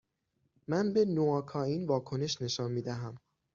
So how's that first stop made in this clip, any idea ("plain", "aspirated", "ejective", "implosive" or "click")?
plain